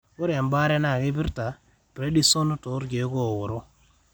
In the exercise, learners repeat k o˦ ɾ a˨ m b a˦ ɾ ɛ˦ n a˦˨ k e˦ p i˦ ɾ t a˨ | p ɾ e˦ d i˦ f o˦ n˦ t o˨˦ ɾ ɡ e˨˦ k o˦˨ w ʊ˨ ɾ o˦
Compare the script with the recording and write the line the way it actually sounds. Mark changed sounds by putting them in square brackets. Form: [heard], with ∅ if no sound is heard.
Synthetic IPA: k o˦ ɾ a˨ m b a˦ ɾ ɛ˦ n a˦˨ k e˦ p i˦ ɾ t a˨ | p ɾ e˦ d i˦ [s] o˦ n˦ t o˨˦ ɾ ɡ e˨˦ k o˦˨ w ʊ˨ ɾ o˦